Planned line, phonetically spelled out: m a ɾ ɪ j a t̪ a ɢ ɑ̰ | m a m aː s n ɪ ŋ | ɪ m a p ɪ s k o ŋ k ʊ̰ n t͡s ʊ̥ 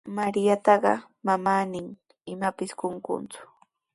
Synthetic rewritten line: m a ɾ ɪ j a t̪ ɑ ɢ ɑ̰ | m a m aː n ɪ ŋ | ɪ m a p ɪ s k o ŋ k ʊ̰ n t͡s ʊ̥